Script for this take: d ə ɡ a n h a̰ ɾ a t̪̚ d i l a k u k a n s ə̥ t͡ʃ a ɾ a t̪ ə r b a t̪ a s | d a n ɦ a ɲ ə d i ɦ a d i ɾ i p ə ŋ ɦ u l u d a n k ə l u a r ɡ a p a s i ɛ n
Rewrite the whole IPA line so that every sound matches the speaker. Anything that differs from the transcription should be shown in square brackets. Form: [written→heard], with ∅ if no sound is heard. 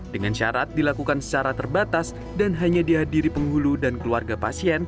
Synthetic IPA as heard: d ə [ɡ→ŋ] a n [h→ʃ] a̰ ɾ a t̪̚ d i l a k u k a n s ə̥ t͡ʃ a ɾ a t̪ ə r b a t̪ a s | d a n ɦ a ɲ [ə→a] d i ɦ a d i ɾ i p ə ŋ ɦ u l u d a n k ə l u a r ɡ a p a s i ɛ n